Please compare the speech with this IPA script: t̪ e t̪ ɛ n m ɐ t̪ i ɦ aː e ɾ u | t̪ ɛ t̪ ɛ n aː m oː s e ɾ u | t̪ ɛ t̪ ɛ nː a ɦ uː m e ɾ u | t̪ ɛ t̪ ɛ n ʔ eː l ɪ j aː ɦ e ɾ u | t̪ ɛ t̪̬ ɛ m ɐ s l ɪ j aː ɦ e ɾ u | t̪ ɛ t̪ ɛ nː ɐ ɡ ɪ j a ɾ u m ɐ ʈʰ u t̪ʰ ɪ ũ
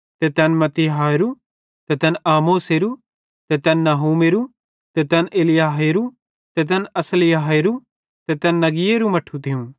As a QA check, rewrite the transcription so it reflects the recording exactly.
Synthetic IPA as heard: t̪ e t̪ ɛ n m ɐ t̪ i ɦ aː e ɾ u | t̪ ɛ t̪ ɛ n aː m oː s e ɾ u | t̪ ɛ t̪ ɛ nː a ɦ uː m e ɾ u | t̪ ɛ t̪ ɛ n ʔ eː l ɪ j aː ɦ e ɾ u | t̪ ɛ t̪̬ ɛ n ɐ s l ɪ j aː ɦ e ɾ u | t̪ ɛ t̪ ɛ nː ɐ ɡ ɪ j e ɾ u m ɐ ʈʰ u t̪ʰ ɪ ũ